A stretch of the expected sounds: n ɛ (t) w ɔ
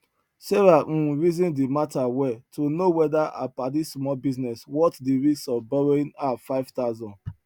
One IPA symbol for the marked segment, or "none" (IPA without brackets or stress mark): s